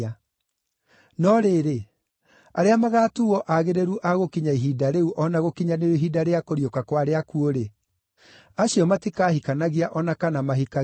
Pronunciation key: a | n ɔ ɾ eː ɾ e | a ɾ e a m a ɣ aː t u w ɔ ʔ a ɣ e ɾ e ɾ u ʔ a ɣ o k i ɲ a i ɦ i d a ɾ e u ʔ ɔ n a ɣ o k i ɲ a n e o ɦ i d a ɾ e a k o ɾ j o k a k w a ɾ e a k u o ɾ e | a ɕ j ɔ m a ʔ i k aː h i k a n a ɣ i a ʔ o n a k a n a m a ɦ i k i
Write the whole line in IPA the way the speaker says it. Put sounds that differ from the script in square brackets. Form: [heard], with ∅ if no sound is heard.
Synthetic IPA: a | n ɔ ɾ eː ɾ e | a ɾ e a m a ɣ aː t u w ɔ ʔ a ɣ e ɾ e ɾ u ʔ a ɣ o k i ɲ a i ɦ i d a ɾ e u ʔ ɔ n a ɣ o k i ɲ a n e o ɦ i d a ɾ e a k o ɾ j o k a k w a ɾ e a k u o ɾ e | a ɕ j ɔ m a [t] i k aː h i k a n a ɣ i a ʔ [ɔ] n a k a n a m a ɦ i k [a]